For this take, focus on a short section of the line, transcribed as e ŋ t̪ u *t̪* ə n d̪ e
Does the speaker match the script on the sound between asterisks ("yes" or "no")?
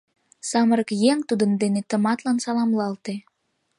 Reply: no